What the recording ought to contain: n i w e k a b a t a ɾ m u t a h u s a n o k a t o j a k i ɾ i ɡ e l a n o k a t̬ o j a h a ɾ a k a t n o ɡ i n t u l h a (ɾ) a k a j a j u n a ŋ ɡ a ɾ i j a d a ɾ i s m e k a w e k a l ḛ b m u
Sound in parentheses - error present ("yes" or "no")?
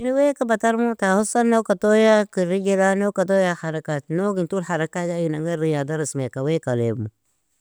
no